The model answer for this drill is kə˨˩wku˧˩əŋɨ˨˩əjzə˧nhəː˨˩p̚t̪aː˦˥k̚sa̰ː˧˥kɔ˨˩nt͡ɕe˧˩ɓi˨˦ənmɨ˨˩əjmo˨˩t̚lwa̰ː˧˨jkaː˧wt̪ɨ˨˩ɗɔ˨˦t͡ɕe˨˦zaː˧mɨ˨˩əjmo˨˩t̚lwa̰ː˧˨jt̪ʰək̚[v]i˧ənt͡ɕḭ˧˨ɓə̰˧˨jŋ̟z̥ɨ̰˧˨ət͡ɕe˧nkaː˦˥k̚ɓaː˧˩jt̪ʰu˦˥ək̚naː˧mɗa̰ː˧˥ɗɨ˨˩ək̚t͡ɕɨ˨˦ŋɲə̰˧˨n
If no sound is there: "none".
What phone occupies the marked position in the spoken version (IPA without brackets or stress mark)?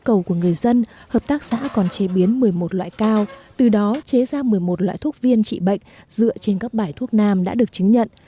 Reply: v